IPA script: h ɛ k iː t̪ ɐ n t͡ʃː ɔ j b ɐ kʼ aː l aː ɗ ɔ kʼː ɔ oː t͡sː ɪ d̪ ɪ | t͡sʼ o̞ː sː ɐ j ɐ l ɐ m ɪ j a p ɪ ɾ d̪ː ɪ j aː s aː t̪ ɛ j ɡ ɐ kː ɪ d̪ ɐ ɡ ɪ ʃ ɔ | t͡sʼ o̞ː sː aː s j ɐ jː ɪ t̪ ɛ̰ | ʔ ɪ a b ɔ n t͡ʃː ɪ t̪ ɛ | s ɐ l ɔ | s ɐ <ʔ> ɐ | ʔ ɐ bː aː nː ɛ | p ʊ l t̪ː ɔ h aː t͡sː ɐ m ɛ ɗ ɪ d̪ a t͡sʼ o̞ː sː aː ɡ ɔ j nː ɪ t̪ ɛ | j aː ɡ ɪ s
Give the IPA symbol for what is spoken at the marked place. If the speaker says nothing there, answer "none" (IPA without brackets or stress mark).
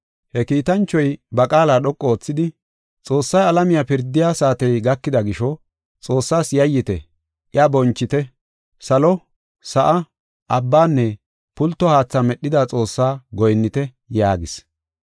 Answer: ʔ